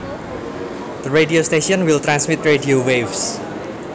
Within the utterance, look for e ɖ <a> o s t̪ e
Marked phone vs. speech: incorrect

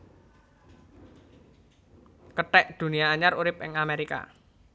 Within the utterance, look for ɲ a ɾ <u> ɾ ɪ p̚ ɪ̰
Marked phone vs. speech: correct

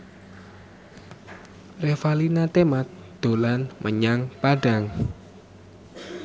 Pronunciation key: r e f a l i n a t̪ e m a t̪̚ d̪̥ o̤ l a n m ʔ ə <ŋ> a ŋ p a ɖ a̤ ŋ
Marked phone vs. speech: incorrect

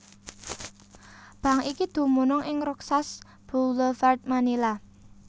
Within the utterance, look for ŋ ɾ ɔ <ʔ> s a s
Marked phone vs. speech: incorrect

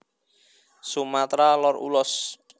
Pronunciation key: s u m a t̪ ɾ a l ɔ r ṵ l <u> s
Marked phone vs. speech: incorrect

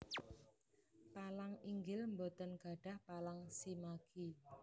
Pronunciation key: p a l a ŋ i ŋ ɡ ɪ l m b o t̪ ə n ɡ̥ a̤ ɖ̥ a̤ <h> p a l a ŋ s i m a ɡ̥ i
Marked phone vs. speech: correct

